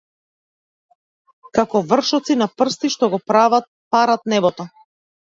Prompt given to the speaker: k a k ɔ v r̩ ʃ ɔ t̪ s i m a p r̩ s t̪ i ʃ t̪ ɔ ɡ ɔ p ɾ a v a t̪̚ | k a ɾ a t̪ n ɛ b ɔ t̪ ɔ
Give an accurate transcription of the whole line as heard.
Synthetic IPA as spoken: k a k ɔ v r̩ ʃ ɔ t̪ s i n a p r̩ s t̪ i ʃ t̪ ɔ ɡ ɔ p ɾ a v a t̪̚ | p a ɾ a t̪ n ɛ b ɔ t̪ ɔ